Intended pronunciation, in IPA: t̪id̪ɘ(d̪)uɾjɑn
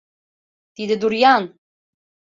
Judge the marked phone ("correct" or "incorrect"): correct